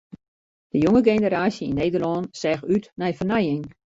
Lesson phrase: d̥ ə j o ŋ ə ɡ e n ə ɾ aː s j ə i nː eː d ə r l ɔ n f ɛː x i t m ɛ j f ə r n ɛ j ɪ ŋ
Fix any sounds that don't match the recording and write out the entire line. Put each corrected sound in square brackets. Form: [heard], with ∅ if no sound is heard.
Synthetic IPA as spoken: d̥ ə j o ŋ ə ɡ e n ə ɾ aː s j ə i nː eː d ə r l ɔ n [s] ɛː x [y] t [n] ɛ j f ə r n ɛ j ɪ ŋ

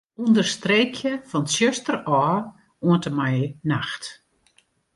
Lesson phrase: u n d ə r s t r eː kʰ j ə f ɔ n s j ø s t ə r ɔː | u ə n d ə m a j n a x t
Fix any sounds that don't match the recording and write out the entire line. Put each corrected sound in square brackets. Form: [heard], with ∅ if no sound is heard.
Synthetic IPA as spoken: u n d ə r s t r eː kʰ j ə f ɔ n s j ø s t ə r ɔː | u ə n [t] ə m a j n a x t

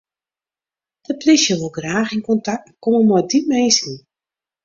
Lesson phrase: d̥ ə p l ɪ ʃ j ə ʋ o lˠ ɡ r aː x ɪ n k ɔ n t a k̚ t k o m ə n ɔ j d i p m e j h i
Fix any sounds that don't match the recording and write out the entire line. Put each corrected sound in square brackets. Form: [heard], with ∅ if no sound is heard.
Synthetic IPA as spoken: d̥ ə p l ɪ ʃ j ə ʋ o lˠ ɡ r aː x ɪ n k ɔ n t a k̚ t k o m ə [m] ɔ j d i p m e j [s] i

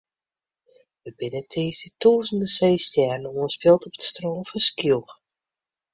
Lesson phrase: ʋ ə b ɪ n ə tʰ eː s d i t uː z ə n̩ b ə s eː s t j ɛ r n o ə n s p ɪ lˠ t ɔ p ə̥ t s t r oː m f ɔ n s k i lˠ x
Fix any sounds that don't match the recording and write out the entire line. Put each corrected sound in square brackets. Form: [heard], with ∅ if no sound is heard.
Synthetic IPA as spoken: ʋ ə b ɪ n ə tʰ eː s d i t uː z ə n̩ [d] ə s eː s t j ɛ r n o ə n s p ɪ lˠ t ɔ p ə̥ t s t r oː m f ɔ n s k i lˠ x

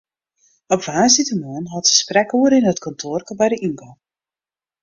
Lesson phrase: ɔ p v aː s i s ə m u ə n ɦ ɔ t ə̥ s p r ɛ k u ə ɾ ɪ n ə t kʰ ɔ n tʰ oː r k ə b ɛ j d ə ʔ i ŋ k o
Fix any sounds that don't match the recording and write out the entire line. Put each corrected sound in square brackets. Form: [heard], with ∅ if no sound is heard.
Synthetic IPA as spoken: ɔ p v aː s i [t] ə m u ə n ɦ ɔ t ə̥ s p r ɛ k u ə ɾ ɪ n ə t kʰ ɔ n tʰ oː r k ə b ɛ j d ə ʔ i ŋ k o

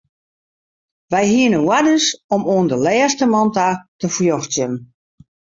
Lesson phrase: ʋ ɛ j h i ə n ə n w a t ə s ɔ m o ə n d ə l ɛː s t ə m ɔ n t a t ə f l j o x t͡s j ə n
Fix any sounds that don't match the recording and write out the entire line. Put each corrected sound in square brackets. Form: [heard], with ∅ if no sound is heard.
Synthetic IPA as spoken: ʋ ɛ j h i ə n ə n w a [d] ə s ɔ m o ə n d ə l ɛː s t ə m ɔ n t a t ə f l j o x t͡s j ə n

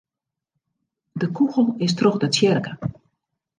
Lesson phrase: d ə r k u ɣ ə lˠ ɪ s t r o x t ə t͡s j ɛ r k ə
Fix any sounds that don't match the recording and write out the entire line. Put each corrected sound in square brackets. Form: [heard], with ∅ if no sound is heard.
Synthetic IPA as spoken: d ə [∅] k u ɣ ə lˠ ɪ s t r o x [d] ə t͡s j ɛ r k ə

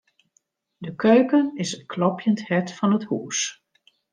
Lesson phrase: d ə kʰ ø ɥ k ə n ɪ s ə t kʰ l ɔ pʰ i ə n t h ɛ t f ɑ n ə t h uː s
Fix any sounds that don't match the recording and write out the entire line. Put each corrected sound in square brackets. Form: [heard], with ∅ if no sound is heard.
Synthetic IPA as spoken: d ə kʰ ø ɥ k ə n ɪ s ə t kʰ l ɔ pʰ [j] ə n t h ɛ t f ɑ n ə t h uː s

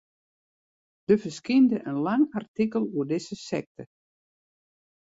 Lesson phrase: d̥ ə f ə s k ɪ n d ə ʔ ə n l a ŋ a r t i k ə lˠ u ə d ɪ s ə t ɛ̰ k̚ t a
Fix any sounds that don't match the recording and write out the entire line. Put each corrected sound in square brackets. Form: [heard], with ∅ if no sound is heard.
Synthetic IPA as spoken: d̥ ə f ə s k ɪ n d ə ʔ ə n l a ŋ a r t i k ə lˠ u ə d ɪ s ə [s] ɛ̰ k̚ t [ə]

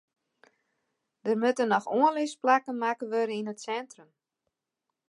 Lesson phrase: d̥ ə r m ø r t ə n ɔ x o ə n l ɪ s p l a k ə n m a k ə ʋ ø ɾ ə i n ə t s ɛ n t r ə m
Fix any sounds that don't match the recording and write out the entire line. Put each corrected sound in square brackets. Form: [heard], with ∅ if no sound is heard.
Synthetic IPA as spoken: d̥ ə r m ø [∅] t ə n ɔ x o ə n l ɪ s p l a k ə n m a k ə ʋ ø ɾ ə i n ə t s ɛ n t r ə m

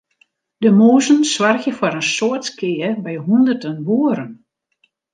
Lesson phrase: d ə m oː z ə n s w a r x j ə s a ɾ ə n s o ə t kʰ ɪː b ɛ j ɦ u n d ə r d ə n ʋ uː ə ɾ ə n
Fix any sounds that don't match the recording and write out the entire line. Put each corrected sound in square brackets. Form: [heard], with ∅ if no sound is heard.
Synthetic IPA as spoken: d ə m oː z ə n s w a r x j ə [f] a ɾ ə n s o ə t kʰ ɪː b ɛ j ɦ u n d ə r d ə n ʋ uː ə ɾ ə n

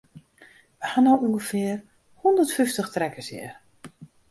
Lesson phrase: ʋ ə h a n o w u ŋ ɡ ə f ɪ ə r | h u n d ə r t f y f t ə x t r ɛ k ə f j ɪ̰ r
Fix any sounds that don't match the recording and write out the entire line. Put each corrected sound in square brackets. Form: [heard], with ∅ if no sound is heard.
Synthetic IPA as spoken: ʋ ə h a n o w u ŋ ɡ ə f ɪ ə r | h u n d ə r t f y f t ə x t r ɛ k ə [s] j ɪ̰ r

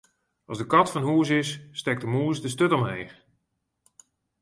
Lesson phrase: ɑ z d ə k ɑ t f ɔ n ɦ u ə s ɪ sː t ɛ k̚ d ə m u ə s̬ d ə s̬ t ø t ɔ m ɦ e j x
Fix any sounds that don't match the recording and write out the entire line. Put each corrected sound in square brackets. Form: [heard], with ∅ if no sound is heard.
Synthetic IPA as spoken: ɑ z d ə k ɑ t f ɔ n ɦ u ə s ɪ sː t ɛ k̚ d ə m u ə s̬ d ə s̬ t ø t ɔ m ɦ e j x

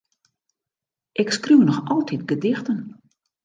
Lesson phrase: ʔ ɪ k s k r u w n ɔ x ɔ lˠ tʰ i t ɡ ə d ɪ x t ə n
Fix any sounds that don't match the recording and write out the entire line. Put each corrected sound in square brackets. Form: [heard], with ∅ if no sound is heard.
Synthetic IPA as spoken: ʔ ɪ k s k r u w n ɔ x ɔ lˠ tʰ i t ɡ ə d ɪ x t ə n

